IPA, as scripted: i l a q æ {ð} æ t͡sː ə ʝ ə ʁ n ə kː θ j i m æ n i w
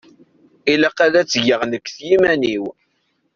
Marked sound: correct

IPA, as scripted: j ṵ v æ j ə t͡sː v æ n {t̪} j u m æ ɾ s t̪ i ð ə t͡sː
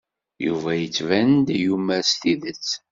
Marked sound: incorrect: d̪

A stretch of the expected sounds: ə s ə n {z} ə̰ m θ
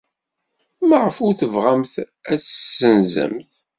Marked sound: correct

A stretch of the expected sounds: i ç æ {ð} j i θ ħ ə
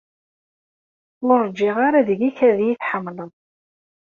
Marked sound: correct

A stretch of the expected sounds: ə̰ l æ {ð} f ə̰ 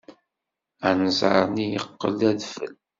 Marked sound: correct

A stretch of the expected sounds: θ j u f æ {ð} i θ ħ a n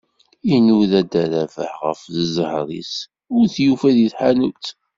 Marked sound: correct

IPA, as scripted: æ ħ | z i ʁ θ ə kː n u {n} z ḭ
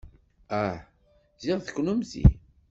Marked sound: incorrect: m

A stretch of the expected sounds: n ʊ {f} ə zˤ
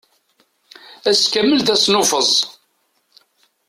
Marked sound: correct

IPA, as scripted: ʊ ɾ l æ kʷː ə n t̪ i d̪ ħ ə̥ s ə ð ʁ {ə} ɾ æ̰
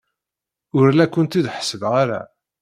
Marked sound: incorrect: a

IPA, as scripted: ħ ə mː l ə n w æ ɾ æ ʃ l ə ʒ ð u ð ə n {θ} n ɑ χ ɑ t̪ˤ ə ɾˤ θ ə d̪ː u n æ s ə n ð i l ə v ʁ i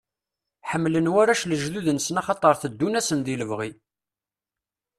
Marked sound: incorrect: s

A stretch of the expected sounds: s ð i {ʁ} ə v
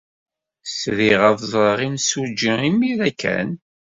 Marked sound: correct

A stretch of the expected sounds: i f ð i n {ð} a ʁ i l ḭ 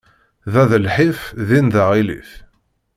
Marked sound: correct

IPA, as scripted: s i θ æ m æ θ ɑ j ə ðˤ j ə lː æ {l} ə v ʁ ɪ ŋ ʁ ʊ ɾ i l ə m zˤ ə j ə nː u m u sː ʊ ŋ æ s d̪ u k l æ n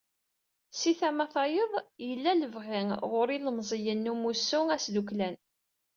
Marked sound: correct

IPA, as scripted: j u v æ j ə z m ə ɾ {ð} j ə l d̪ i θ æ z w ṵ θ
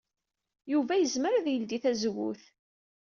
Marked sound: correct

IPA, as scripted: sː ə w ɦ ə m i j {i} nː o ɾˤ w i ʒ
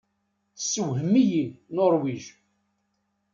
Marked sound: correct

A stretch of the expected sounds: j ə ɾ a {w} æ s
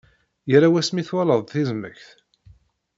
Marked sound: correct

